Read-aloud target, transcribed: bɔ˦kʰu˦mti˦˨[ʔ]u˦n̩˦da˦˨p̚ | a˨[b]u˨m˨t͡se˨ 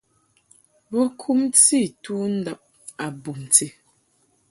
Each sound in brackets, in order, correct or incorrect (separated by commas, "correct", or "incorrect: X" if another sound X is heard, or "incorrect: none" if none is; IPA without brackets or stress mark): incorrect: t, correct